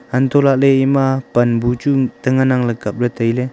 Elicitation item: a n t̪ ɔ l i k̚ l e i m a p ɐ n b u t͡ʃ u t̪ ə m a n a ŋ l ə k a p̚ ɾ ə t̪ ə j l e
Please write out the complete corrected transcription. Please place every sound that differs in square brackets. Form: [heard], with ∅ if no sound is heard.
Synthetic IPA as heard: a n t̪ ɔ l [a] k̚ l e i m a p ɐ n b u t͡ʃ u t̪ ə [ŋ] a n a ŋ l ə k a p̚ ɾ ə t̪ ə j l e